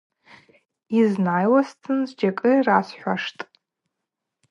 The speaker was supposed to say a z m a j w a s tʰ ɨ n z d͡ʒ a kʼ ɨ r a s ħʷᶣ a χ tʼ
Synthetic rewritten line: i z n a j w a s tʰ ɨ n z d͡ʒ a kʼ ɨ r a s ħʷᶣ a ʂ tʼ